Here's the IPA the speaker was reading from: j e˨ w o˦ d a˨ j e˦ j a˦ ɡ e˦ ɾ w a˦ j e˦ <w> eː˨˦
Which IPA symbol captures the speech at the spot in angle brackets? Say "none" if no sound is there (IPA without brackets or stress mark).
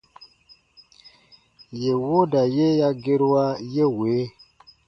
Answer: w